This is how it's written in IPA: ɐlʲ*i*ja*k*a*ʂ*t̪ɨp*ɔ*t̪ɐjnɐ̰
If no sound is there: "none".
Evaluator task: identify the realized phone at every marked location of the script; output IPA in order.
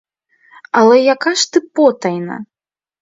ɛ, k, ʂ, ɔ

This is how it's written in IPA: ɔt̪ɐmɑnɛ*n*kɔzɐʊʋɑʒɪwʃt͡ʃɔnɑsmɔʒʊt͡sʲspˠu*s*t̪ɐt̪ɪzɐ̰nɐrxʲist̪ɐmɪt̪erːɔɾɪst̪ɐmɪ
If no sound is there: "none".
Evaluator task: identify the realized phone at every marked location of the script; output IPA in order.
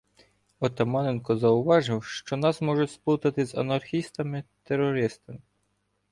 n, none

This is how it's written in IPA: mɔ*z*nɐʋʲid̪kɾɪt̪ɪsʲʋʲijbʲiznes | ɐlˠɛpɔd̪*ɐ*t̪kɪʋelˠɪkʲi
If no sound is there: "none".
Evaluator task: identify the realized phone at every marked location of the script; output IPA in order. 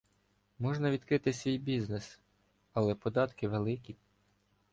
ʒ, ɑ

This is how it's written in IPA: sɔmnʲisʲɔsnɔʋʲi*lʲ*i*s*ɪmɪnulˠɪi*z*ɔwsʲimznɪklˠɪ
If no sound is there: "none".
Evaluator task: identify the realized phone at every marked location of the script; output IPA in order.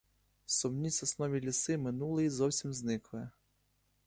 lʲ, s, z

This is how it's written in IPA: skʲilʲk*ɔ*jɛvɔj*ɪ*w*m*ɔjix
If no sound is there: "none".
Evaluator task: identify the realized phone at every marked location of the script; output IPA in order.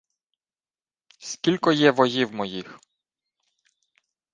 ɔ, i, m

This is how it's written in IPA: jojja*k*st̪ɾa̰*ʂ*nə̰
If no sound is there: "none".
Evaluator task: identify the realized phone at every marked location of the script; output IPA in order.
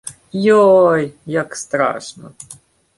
k, ʂ

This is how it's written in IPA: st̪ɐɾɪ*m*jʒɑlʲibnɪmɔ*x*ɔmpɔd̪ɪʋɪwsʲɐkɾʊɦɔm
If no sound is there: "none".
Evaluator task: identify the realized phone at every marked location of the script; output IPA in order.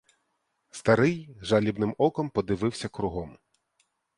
none, k

